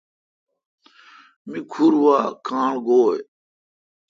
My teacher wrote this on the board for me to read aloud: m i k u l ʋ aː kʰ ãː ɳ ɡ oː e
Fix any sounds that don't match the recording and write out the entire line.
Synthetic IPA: m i kʰ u ɾ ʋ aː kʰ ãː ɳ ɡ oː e